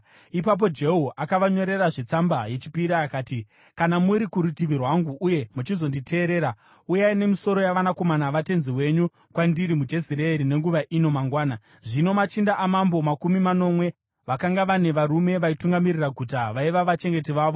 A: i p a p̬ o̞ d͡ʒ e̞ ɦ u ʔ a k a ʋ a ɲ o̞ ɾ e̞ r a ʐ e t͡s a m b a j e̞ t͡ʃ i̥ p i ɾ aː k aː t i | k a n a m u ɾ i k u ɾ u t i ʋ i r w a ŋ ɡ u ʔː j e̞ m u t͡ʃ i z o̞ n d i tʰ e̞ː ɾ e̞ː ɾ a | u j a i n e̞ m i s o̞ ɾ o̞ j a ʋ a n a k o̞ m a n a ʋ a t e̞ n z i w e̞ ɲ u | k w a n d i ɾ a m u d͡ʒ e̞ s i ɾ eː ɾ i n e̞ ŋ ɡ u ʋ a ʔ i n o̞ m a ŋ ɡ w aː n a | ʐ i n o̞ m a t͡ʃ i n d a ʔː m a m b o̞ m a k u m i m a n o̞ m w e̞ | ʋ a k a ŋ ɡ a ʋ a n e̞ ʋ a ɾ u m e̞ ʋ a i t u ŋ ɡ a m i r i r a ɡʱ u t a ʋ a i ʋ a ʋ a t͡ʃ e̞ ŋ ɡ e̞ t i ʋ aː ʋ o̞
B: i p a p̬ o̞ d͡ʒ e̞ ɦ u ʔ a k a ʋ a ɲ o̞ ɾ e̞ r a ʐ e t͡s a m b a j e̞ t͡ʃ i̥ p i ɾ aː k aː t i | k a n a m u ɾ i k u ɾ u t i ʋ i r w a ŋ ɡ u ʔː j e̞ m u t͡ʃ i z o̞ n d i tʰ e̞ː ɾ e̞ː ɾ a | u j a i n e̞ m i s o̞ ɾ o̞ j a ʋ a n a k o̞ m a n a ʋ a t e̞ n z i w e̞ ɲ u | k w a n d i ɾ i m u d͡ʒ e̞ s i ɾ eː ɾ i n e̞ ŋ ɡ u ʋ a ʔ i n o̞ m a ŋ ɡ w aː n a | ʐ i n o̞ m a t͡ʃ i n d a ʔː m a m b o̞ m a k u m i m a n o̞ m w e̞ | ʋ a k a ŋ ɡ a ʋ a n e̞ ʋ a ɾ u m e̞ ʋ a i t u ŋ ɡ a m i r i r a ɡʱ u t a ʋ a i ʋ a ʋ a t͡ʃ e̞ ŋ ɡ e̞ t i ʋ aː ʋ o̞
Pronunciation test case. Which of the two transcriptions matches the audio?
B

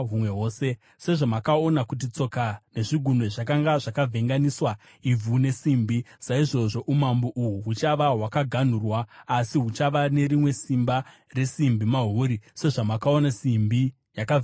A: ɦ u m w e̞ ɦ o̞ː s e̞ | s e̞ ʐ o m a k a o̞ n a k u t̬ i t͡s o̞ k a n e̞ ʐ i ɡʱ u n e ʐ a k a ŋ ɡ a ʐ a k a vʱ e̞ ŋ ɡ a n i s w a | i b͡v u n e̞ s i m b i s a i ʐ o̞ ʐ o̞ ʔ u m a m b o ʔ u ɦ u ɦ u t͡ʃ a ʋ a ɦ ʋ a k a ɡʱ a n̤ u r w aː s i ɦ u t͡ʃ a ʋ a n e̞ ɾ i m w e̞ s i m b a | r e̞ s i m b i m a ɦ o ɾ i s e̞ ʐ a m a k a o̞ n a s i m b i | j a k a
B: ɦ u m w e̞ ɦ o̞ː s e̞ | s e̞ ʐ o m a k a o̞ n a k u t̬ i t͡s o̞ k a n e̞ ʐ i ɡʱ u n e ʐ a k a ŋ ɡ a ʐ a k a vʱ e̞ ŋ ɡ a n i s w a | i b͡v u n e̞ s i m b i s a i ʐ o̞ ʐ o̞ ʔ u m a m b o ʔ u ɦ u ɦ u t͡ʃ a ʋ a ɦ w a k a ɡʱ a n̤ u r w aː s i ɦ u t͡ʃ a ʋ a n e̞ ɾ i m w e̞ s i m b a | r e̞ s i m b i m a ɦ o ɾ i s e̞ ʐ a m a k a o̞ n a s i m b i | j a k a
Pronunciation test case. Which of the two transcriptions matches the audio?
B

